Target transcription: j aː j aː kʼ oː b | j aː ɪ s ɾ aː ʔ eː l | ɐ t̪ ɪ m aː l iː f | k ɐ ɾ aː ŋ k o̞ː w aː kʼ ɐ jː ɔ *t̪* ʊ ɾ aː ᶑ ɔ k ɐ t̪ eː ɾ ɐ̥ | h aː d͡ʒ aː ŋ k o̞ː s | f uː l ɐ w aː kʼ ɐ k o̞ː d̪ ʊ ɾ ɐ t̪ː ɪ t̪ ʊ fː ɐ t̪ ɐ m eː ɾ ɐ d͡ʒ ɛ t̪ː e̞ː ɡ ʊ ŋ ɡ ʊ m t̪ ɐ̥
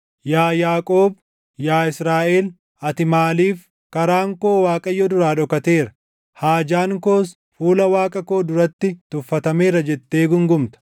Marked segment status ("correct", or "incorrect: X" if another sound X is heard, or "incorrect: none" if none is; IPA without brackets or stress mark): incorrect: d̪